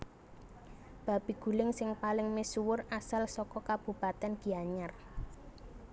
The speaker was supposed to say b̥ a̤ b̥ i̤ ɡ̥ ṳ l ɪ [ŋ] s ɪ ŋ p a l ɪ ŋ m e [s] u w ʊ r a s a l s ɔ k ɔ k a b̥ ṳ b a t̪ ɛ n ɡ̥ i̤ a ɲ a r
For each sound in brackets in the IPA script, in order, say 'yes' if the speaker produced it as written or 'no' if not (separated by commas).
yes, yes